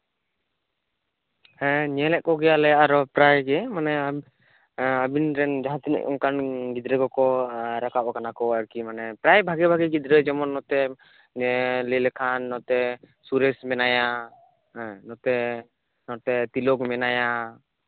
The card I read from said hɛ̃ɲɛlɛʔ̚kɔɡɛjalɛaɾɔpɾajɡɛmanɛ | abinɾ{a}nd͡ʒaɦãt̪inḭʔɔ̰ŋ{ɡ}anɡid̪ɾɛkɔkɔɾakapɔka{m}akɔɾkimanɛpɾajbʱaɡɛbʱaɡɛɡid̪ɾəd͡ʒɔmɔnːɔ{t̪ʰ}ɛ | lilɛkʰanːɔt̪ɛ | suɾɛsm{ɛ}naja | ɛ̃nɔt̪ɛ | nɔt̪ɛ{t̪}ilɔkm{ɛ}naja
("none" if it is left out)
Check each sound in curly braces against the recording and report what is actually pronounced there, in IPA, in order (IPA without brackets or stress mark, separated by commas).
ɛ, k, n, t̪, ɛ, t̪, ɛ